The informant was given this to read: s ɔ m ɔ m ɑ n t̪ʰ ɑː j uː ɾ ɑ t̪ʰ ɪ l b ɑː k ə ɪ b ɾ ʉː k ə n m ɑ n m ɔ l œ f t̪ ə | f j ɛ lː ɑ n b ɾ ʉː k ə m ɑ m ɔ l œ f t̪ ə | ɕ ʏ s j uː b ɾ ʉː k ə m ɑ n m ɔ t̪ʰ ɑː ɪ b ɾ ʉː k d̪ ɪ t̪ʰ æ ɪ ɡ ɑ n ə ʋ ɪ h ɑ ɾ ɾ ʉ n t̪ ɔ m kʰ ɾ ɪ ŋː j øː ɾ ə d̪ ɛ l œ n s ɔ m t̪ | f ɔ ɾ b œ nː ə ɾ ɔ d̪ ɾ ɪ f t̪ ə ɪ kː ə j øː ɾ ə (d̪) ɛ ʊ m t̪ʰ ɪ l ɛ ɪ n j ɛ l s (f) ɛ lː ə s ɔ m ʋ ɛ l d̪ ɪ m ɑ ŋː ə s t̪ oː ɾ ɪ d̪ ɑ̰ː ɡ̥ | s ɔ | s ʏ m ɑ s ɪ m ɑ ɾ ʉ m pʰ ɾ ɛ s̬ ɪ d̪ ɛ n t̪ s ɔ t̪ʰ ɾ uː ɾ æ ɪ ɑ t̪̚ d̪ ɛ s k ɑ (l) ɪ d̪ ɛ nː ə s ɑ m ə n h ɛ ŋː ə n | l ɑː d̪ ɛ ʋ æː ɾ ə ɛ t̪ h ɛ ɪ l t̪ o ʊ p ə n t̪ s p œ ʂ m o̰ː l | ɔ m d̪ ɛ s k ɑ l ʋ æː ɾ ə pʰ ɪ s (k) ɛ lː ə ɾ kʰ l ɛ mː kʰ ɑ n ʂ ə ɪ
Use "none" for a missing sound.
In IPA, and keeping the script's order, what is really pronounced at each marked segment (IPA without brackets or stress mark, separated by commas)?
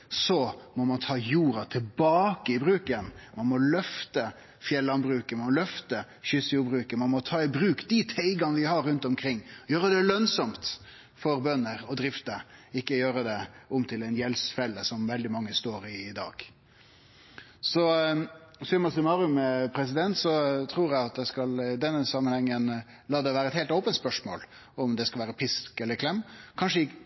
d̪, f, l, k